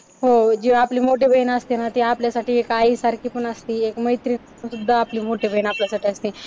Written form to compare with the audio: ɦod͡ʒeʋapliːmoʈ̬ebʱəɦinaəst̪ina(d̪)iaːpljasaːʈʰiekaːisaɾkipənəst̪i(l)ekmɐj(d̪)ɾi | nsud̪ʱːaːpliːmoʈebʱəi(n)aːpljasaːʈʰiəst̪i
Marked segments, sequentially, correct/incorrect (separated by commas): incorrect, incorrect, incorrect, correct